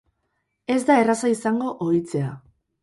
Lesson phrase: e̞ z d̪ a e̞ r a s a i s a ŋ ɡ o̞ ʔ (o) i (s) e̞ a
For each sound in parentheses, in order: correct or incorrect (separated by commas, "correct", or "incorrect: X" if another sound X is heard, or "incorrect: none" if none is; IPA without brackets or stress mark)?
correct, incorrect: t͡s